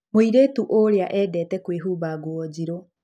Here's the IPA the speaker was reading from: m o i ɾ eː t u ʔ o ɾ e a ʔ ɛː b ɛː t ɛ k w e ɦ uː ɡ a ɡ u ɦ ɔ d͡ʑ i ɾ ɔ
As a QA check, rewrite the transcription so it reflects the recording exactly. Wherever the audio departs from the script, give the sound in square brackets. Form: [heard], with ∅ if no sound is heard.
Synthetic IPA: m o i ɾ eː t u ʔ o ɾ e a ʔ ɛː [d] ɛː t ɛ k w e ɦ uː [b] a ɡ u [∅] ɔ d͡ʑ i ɾ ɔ